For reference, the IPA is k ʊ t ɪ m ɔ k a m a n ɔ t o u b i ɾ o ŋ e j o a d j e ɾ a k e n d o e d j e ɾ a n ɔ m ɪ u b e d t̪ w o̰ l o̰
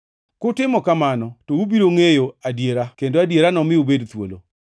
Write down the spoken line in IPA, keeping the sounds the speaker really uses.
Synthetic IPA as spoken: k ʊ t ɪ m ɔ k a m a n ɔ t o u b i ɾ o ŋ e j o a d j e ɾ a k e n d o a d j e ɾ a n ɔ m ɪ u b e d t̪ w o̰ l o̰